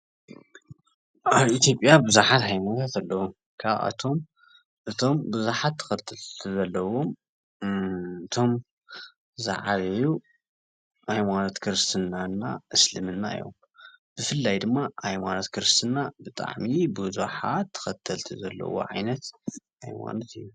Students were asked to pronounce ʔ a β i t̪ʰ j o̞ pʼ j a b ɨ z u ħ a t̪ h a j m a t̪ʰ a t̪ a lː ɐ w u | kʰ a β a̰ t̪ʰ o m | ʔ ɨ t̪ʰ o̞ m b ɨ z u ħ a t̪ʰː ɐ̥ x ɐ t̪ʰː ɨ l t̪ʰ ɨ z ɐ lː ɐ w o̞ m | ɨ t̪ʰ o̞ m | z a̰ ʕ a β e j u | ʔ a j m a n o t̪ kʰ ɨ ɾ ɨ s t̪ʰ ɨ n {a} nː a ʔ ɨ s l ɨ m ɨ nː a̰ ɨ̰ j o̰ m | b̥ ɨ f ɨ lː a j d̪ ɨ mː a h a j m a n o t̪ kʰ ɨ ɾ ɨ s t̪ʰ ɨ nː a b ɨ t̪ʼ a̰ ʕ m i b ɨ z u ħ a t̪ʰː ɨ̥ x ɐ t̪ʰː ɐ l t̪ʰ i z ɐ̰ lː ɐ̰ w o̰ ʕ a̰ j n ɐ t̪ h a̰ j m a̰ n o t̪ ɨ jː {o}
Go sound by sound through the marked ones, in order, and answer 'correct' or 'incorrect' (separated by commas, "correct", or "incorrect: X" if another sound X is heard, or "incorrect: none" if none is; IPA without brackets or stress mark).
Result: correct, incorrect: u